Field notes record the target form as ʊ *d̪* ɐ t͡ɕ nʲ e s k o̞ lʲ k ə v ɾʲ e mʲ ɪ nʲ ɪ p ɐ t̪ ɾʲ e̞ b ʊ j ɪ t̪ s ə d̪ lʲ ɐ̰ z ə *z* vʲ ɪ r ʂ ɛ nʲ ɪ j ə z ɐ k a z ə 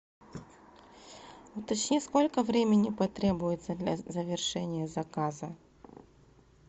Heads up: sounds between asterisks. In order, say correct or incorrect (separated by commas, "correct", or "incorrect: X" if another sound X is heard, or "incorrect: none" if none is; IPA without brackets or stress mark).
incorrect: t̪, incorrect: none